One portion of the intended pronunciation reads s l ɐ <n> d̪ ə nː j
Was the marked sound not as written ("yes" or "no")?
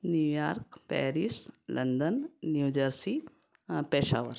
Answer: no